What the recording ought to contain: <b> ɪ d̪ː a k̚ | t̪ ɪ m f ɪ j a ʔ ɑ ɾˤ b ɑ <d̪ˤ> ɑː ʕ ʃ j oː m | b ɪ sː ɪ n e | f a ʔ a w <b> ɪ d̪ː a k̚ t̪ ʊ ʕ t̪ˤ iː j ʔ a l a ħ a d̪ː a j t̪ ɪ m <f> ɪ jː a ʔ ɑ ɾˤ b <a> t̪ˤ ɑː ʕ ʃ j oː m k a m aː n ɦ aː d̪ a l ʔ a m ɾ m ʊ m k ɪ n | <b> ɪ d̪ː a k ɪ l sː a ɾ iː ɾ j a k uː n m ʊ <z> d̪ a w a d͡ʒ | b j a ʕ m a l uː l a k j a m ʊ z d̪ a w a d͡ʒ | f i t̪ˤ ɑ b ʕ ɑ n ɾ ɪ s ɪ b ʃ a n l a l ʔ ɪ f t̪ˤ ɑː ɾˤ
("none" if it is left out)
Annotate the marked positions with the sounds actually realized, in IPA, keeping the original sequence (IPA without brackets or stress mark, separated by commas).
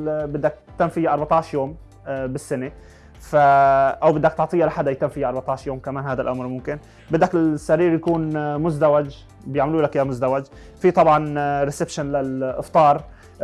b, t̪ˤ, b, f, ɑ, b, z